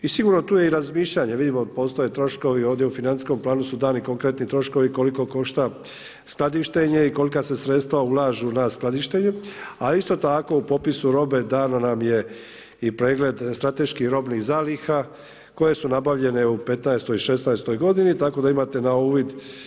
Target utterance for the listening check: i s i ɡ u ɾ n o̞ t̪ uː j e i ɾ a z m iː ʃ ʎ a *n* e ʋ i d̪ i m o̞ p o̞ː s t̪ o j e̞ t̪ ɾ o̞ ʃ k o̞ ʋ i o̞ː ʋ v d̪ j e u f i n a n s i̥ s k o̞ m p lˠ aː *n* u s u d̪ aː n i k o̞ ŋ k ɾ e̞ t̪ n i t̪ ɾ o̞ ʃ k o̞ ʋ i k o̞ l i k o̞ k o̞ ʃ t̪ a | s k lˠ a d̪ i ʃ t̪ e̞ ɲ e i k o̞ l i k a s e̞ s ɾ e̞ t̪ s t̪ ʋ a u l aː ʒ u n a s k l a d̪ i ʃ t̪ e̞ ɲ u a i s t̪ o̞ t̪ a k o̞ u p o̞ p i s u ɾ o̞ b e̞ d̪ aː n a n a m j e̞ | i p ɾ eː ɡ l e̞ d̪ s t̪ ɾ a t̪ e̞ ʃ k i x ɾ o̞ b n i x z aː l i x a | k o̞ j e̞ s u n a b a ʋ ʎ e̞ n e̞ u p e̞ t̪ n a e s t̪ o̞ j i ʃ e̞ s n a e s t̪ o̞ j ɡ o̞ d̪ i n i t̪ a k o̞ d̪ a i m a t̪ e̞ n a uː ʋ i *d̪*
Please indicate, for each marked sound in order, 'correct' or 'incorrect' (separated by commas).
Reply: incorrect, correct, correct